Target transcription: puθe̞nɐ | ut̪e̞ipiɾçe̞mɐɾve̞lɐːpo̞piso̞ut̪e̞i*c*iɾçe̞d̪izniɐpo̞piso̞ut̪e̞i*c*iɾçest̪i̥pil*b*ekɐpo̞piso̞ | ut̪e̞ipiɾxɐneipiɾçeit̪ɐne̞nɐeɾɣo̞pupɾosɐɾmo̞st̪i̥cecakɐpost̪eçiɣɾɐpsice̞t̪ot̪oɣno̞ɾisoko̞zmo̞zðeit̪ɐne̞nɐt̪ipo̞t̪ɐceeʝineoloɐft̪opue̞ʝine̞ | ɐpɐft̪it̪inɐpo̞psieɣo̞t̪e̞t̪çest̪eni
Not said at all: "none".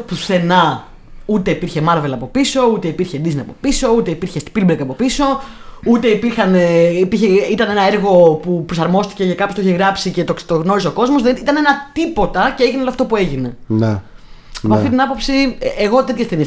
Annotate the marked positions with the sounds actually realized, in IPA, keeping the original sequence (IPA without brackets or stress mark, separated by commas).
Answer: p, p, b